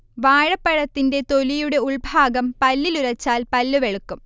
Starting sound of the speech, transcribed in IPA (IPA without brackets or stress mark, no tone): ʋ